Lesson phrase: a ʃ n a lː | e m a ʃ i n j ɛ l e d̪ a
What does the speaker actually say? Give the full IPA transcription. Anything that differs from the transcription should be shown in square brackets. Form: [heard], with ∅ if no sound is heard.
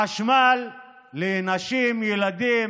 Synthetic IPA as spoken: a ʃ [m] a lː | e [n] a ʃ i [m] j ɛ l [a] d̪ [i]